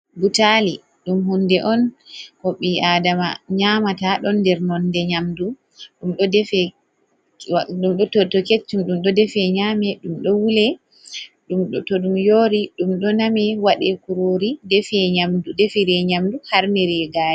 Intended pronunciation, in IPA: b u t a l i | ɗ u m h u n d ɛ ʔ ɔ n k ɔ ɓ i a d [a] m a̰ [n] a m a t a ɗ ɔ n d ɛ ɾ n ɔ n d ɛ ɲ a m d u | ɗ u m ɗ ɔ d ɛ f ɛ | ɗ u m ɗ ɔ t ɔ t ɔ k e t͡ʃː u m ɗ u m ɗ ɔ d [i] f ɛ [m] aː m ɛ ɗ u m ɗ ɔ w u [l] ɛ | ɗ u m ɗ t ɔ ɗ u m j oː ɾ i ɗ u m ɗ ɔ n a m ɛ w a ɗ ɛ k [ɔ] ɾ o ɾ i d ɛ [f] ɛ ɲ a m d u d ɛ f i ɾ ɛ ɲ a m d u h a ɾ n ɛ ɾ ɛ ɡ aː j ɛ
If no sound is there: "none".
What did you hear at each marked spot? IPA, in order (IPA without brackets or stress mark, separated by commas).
a, ɲ, ɛ, ɲ, l, u, f